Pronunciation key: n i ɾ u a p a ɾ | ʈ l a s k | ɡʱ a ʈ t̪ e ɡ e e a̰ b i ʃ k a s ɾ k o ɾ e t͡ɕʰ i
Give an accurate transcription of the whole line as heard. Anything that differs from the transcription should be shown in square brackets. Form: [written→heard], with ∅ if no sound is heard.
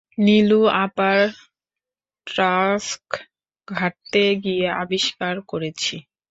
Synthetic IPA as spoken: n i [ɾ→l] u a p a ɾ | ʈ [l→ɾ] a s k | ɡʱ a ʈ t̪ e ɡ [e→i] e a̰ b i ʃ k a [s→∅] ɾ k o ɾ e t͡ɕʰ i